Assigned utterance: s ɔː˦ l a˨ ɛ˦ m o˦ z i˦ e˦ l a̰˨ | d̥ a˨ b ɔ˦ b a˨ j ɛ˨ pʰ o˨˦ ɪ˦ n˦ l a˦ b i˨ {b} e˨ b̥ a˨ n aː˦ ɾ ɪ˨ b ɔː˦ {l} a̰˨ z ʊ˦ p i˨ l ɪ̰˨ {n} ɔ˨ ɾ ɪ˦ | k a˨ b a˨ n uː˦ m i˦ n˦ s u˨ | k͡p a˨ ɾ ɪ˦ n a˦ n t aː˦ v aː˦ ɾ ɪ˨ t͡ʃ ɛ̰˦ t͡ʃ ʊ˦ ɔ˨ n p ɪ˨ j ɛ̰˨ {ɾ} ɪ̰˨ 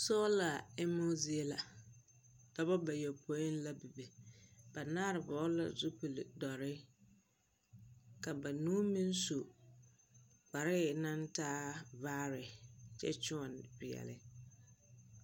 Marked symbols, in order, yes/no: yes, yes, no, no

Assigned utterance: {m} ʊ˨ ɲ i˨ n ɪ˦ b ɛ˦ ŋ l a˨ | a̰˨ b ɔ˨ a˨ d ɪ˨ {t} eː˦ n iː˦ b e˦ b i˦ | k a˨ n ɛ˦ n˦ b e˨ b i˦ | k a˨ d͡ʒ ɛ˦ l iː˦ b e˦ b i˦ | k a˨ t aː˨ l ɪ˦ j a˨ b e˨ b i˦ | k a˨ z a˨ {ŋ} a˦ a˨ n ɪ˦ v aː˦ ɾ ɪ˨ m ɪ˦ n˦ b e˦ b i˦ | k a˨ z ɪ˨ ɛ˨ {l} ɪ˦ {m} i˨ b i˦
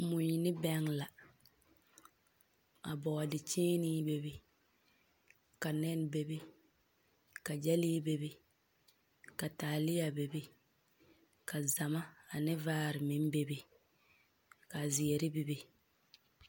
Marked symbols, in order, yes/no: yes, no, no, no, no

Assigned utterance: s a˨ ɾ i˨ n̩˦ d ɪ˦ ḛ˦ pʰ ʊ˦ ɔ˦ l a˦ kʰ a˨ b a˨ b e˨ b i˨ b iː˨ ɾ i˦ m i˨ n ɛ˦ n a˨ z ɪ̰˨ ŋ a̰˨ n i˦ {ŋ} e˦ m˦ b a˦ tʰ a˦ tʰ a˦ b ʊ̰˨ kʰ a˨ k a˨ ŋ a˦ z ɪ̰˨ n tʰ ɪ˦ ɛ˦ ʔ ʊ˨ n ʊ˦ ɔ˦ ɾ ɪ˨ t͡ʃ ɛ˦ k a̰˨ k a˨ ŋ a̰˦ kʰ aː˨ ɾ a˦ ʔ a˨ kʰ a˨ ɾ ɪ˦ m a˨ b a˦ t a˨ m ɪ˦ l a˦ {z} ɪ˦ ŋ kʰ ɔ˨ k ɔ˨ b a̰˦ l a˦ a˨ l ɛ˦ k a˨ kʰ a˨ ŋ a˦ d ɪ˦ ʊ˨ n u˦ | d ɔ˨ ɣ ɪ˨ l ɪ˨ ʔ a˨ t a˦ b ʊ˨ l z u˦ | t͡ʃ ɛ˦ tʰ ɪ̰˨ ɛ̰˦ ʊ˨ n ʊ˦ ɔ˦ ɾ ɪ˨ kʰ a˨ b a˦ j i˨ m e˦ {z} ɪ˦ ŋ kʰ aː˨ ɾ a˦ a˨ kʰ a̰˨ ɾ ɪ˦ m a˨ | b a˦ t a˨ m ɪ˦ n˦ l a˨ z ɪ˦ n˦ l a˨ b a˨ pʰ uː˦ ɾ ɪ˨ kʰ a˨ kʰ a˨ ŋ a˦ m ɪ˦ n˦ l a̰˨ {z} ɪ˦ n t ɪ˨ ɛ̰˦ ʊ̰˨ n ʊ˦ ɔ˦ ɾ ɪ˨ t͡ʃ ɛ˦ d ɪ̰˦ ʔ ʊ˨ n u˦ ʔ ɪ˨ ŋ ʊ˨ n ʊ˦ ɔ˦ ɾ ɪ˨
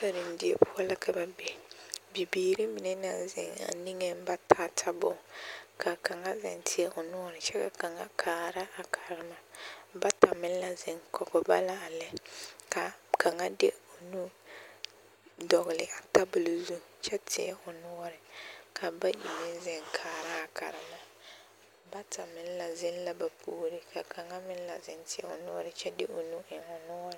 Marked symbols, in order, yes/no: yes, yes, yes, yes

